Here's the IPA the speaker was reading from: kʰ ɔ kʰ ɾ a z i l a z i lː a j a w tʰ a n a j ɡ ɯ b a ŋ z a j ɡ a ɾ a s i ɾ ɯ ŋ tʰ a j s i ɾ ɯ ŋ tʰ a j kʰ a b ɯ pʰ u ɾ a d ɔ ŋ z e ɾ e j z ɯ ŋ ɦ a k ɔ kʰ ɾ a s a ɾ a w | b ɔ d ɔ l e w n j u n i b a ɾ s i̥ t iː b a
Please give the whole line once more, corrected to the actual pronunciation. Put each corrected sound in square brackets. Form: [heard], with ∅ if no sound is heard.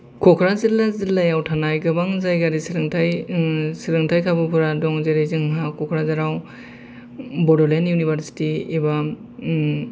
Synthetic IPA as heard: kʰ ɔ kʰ ɾ a z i l a z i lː a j a w tʰ a n a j ɡ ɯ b a ŋ z a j ɡ a ɾ [i] s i ɾ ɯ ŋ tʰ a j s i ɾ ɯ ŋ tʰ a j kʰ a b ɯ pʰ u ɾ a d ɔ ŋ z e ɾ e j z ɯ ŋ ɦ a k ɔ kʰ ɾ a [z] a ɾ a w | b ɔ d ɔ l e [∅] n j u n i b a ɾ s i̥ t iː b a